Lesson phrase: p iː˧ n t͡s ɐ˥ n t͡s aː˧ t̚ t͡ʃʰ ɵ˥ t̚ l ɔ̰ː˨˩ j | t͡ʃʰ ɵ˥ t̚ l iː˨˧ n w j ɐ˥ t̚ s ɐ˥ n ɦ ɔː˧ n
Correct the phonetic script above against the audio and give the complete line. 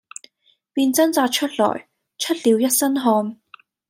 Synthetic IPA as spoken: p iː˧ n t͡s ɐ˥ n t͡s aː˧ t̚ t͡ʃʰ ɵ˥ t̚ l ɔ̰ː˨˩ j | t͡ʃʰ ɵ˥ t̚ l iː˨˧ w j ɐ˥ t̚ s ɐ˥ n ɦ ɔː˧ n